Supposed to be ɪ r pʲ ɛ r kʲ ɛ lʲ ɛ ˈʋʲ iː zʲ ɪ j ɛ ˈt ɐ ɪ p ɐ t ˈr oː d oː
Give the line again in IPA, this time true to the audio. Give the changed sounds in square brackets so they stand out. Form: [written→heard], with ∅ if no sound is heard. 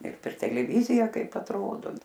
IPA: ɪ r pʲ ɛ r [kʲ→tʲ] ɛ lʲ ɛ ˈʋʲ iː zʲ ɪ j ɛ [ˈt→ˈk] ɐ ɪ p ɐ t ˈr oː d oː